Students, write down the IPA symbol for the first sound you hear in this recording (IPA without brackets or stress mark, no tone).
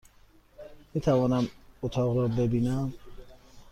m